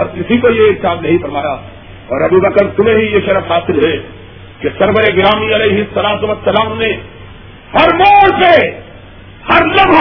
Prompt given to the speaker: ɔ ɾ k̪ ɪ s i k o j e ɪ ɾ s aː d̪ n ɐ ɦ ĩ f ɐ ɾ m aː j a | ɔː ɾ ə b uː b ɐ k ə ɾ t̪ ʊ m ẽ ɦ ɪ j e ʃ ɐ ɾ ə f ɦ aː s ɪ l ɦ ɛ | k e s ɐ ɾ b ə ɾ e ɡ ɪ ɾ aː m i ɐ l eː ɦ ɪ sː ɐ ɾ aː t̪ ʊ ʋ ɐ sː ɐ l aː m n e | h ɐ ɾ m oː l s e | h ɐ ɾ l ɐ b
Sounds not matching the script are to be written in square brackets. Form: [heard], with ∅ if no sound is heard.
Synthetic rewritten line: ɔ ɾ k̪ ɪ s i k o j e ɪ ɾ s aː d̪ n ɐ ɦ ĩ f ɐ ɾ m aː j a | ɔː ɾ [ɐ] b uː b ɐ k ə ɾ t̪ ʊ m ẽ ɦ [i] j e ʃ ɐ ɾ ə f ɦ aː s ɪ l ɦ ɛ | k e s ɐ ɾ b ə ɾ e ɡ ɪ ɾ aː m i ɐ l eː ɦ ɪ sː ɐ [l] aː t̪ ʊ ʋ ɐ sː ɐ l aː m n e | h ɐ ɾ m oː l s e | h ɐ ɾ l ɐ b